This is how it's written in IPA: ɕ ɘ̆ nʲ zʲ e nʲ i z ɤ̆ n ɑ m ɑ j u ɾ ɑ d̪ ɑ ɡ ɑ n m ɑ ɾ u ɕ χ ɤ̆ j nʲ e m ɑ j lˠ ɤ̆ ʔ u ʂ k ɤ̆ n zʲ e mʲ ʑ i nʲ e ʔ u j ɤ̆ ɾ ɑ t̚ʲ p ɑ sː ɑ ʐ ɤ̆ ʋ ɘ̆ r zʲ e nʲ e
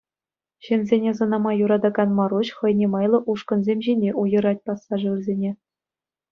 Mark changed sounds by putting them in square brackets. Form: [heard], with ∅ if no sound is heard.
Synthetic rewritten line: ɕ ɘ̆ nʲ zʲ e nʲ [e] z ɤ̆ n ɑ m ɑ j u ɾ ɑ d̪ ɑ ɡ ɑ n m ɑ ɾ u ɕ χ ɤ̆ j nʲ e m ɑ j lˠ ɤ̆ ʔ u ʂ k ɤ̆ n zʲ e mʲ ʑ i nʲ e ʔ u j ɤ̆ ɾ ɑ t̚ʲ p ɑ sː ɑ ʐ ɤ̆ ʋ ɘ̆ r zʲ e nʲ e

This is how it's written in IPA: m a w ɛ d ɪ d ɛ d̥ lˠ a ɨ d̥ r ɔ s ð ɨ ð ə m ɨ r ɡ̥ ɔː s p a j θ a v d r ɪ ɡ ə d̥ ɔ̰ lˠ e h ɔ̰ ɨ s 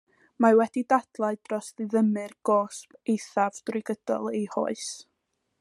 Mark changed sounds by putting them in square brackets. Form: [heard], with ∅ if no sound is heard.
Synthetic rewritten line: m a w ɛ d [i] d [a] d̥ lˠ a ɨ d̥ r ɔ s ð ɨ ð ə m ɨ r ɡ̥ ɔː s p [e] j θ a v d r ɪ ɡ ə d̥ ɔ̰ lˠ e h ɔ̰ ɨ s

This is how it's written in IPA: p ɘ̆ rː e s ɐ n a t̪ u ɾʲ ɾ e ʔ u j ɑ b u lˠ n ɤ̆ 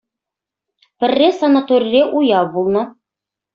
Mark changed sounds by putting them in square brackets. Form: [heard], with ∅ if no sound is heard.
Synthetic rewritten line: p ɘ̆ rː e s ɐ n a t̪ [o] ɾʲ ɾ e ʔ u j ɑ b u lˠ n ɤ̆

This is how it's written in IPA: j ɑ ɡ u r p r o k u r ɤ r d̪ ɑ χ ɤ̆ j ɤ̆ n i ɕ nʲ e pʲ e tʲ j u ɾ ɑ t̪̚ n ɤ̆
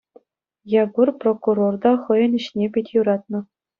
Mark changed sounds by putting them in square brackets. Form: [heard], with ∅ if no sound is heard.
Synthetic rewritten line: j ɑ ɡ u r p r o k u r [o] r d̪ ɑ χ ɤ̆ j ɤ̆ n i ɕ nʲ e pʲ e tʲ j u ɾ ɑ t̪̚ n ɤ̆

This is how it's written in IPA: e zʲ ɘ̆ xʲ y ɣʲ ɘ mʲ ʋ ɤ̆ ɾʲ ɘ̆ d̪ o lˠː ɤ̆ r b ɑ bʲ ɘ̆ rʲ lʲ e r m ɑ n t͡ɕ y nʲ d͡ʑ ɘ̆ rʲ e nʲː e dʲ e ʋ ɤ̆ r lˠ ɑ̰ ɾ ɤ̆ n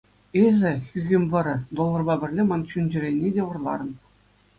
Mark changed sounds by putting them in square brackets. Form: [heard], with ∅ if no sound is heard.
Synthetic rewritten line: e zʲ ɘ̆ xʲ y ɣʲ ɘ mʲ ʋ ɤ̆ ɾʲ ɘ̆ d̪ o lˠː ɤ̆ r b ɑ bʲ ɘ̆ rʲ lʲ e [∅] m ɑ n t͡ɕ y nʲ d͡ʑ ɘ̆ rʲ e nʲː e dʲ e ʋ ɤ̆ r lˠ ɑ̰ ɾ ɤ̆ n

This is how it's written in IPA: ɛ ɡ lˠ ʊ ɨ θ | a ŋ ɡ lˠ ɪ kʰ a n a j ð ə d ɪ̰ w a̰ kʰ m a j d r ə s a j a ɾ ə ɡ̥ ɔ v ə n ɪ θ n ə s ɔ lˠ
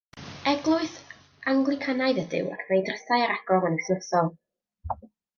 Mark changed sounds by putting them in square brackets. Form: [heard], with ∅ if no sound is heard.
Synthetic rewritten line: ɛ ɡ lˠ ʊ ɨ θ | a ŋ ɡ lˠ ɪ kʰ a n a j ð ə d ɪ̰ w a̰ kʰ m a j d r ə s a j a ɾ [a] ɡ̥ ɔ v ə n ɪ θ n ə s ɔ lˠ

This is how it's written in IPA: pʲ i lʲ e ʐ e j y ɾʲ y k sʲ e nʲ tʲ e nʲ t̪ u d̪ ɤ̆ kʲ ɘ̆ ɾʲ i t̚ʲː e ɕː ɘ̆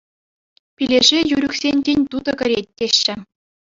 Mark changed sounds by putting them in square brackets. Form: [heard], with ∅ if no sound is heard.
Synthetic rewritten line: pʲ i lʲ e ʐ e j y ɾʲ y k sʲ e nʲ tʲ e nʲ t̪ u d̪ ɤ̆ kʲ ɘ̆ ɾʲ [e] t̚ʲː e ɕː ɘ̆

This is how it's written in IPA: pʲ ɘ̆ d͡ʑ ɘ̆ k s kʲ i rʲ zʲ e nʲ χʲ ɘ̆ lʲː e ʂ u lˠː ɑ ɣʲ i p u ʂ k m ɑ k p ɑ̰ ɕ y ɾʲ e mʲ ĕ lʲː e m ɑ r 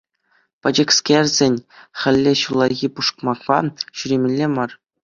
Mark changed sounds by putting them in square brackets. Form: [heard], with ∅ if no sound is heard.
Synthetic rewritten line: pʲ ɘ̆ d͡ʑ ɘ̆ k s kʲ [e] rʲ zʲ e nʲ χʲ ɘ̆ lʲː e [ɕ] u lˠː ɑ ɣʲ i p u ʂ k m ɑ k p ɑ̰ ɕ y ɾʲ e mʲ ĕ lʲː e m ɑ r

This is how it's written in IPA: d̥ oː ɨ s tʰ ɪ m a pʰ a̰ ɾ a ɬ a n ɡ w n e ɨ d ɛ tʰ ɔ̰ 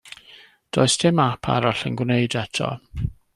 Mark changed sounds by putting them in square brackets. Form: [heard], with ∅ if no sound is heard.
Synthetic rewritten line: d̥ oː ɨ s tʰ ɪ m a pʰ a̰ ɾ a ɬ [ə] n ɡ w n e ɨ d ɛ tʰ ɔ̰

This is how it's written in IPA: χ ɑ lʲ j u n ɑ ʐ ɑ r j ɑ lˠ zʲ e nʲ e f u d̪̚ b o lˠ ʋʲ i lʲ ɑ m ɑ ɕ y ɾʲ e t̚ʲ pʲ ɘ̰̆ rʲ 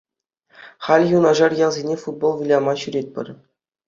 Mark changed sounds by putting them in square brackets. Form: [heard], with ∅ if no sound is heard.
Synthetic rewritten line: χ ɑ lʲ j u n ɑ ʐ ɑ r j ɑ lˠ zʲ e nʲ e f u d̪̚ b o lˠ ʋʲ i lʲ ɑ m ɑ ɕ y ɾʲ e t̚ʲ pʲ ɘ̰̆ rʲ

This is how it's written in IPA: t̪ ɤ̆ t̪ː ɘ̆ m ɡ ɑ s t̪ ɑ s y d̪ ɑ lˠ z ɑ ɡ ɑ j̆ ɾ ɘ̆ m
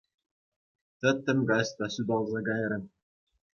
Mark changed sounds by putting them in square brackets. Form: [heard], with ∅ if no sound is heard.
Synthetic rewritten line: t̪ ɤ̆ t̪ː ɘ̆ m ɡ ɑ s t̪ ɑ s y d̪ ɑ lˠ z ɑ ɡ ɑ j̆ ɾ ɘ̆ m

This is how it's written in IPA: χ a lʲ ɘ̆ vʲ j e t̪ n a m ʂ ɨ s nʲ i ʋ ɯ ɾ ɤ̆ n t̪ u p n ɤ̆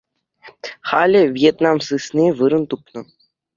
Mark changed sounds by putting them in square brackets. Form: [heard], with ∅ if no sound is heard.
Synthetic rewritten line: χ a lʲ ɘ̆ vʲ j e t̪ n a m [s] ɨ s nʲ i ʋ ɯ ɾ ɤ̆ n t̪ u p n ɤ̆

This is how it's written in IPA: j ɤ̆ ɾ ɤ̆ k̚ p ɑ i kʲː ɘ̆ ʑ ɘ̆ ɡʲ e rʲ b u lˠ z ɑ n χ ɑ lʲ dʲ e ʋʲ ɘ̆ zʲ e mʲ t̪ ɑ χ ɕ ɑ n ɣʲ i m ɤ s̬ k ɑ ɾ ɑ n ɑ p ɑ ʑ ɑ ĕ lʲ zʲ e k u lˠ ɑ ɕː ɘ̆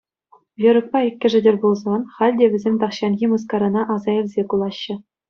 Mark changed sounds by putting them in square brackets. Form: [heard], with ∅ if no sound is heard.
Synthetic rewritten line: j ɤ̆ ɾ ɤ̆ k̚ p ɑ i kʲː ɘ̆ [ʐ] ɘ̆ [dʲ] e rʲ b u lˠ z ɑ n χ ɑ lʲ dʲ e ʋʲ ɘ̆ zʲ e mʲ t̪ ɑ χ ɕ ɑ n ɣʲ i m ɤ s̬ k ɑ ɾ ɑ n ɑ [ʔ] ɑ [z] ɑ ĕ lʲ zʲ e k u lˠ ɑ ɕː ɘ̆

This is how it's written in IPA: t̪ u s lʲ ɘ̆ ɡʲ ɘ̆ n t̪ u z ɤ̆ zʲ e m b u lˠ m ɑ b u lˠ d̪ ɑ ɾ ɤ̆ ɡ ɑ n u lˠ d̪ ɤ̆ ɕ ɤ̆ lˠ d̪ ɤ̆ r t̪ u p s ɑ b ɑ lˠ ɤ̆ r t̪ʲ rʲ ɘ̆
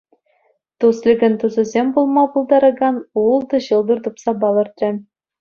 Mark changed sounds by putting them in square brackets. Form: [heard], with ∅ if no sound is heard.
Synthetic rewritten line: t̪ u s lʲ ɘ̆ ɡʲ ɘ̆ n t̪ u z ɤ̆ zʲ e m b u lˠ m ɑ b u lˠ d̪ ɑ ɾ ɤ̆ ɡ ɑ n u lˠ d̪ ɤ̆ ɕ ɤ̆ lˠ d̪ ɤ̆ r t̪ u p s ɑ b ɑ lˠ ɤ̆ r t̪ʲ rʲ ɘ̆

